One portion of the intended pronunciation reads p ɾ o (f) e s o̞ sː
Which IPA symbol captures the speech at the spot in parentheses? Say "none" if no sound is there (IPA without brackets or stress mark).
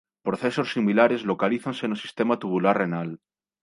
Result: θ